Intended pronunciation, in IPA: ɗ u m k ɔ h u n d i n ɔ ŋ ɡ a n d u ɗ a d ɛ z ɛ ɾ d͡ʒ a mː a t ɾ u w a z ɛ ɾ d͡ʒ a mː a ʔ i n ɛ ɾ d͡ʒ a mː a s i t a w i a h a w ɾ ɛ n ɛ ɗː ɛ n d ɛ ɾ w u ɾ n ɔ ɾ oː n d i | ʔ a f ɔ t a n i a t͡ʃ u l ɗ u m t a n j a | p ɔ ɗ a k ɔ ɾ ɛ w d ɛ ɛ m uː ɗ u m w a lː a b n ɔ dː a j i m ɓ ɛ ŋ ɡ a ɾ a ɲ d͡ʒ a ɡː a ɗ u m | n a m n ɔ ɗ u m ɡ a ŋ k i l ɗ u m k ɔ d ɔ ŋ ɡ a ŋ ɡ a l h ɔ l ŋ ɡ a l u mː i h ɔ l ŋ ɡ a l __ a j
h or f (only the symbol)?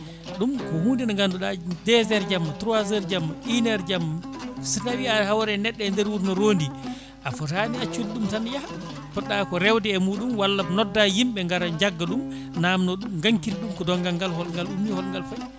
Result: f